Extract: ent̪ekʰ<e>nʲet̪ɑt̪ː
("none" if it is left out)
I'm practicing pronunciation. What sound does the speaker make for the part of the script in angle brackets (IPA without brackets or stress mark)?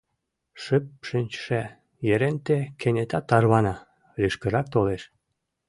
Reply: e